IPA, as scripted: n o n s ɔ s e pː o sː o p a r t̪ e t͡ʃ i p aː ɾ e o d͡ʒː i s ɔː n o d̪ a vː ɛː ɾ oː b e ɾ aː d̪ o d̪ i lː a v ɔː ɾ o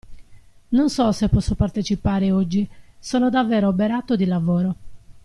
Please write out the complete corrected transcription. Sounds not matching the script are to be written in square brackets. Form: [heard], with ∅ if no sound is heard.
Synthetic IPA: n o n s ɔ s e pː [ɔ] sː o p a r t̪ e t͡ʃ i p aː ɾ e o d͡ʒː i s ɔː n o d̪ a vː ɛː ɾ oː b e ɾ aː [t̪] o d̪ i [l] a v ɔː ɾ o